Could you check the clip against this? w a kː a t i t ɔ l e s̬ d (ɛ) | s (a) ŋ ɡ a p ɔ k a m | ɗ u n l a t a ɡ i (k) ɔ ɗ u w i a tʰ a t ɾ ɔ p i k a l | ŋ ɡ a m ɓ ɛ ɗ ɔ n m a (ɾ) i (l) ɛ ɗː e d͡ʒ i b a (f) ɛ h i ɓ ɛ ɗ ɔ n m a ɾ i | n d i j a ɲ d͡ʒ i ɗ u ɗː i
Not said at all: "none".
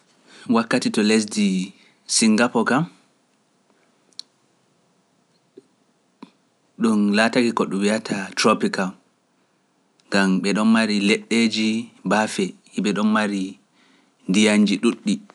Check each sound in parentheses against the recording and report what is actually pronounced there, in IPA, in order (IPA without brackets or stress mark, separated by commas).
i, i, k, ɾ, l, f